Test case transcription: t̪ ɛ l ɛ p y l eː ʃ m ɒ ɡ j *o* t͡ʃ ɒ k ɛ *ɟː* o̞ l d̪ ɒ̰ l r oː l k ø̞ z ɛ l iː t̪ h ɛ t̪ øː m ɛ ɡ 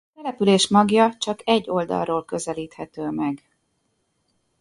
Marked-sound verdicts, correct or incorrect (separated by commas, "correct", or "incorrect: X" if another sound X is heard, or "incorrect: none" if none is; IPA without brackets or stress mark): incorrect: ɒ, correct